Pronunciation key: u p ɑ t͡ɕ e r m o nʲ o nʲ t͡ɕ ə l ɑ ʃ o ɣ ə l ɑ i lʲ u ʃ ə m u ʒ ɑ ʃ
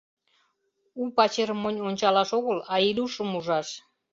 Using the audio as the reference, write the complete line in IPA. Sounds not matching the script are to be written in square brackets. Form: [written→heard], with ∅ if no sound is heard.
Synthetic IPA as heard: u p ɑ t͡ɕ e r m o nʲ o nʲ t͡ɕ [ə→ɑ] l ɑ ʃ o ɣ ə l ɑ i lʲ u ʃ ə m u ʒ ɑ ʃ